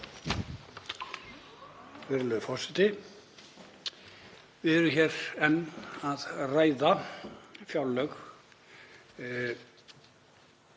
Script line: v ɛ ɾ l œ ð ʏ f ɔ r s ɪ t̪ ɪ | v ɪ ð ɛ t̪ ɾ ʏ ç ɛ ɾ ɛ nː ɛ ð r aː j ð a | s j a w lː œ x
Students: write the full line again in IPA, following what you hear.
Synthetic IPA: v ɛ ɾ l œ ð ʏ f ɔ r s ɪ t̪ ɪ | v ɪ ð ɛ ɾ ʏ ç ɛ ɾ ɛ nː a ð r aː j ð a | f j a w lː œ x